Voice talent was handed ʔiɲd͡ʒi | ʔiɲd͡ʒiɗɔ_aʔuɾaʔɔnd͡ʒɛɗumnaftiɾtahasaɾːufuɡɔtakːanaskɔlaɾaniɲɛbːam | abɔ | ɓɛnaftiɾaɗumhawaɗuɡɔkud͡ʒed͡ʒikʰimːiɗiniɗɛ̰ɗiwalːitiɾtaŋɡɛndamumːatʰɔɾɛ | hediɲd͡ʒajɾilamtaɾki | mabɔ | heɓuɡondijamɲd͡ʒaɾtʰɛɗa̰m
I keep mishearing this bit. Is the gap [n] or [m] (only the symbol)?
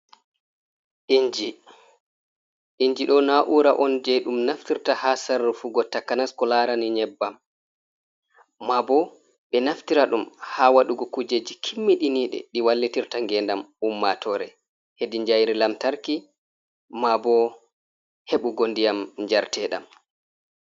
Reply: n